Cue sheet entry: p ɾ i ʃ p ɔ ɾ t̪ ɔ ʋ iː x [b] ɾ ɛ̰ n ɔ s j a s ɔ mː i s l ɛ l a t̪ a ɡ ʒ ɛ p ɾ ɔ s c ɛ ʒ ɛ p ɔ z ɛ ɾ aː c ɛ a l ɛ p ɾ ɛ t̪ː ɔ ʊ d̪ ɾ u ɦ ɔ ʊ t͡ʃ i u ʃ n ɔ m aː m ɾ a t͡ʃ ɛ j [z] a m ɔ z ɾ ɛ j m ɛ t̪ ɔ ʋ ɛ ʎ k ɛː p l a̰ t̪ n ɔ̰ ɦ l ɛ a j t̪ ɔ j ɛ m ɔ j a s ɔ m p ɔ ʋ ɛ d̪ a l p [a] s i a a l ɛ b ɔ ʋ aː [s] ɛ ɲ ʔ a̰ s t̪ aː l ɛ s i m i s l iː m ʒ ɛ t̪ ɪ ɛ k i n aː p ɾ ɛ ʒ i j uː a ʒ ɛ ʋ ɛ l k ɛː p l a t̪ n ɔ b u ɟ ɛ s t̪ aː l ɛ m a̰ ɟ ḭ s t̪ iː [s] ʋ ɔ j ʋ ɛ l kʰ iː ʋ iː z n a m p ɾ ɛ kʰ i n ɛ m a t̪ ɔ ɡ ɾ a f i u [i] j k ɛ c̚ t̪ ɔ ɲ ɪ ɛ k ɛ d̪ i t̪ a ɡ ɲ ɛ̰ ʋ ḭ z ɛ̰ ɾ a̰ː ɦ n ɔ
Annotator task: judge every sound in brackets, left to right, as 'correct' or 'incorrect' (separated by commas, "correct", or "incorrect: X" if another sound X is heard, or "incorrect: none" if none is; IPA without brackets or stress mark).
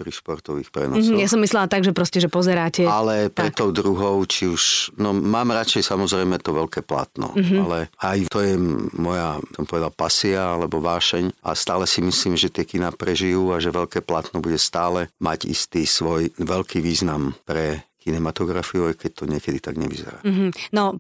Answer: incorrect: p, incorrect: s, correct, incorrect: ʃ, correct, incorrect: a